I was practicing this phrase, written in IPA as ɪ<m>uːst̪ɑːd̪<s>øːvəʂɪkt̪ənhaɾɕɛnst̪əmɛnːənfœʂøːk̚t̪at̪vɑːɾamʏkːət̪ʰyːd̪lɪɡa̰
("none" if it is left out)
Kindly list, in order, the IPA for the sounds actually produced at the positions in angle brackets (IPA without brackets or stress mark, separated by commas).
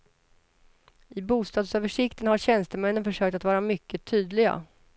b, s